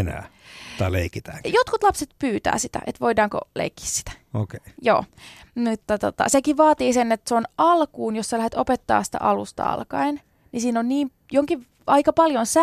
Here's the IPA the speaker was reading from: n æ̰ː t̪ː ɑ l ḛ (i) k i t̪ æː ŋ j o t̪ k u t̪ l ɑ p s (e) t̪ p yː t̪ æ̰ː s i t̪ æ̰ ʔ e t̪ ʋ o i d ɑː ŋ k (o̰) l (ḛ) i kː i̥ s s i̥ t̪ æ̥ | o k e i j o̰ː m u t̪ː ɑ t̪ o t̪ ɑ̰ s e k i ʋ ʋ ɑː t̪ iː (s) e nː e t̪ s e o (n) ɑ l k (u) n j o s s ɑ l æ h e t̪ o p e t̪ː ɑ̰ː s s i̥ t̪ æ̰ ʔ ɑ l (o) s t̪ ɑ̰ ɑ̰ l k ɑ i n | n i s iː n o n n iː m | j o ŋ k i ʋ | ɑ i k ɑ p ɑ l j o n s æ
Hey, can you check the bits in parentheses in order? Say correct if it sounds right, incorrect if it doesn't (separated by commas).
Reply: correct, correct, correct, correct, correct, correct, incorrect, incorrect